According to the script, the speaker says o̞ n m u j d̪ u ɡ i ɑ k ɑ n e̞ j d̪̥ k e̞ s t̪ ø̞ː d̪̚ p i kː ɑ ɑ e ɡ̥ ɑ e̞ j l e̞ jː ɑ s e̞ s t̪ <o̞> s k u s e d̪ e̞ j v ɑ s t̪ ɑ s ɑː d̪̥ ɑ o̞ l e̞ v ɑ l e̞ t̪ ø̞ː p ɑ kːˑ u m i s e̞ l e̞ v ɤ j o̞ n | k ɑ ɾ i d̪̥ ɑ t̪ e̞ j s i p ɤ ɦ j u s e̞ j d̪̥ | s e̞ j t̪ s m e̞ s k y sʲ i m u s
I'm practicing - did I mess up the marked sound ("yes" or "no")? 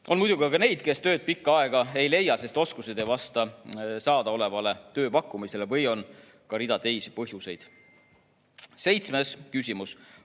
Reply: no